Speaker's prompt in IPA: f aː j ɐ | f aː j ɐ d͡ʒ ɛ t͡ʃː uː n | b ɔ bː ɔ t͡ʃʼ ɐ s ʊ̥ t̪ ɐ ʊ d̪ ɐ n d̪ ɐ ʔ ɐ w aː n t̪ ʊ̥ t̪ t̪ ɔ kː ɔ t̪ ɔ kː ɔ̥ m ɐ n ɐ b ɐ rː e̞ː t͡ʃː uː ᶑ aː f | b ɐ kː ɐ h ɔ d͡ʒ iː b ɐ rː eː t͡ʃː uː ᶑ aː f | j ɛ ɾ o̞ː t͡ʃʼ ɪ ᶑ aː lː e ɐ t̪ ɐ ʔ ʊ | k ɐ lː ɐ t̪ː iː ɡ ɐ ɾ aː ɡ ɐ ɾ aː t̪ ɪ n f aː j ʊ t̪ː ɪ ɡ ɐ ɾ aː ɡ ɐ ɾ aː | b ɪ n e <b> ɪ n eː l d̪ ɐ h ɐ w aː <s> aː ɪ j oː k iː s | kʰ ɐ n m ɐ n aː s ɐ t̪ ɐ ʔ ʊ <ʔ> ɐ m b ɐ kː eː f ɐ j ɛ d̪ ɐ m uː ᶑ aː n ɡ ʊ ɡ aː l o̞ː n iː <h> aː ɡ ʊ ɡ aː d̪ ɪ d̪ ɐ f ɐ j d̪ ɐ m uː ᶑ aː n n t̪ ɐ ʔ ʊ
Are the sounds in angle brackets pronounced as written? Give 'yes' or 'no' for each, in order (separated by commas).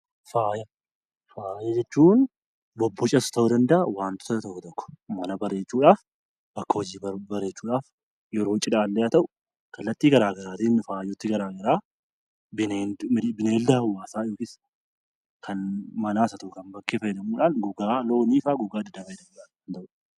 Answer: yes, yes, no, no